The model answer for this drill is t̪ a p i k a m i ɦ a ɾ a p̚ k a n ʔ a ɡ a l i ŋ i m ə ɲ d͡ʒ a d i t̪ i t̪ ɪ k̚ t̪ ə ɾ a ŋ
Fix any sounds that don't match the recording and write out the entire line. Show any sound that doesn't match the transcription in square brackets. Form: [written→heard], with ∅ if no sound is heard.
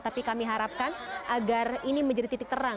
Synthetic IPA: t̪ a p i k a m i ɦ a ɾ a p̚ k a n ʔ a ɡ a [l→r] i [ŋ→n] i m ə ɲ d͡ʒ a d i t̪ i t̪ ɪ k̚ t̪ ə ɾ a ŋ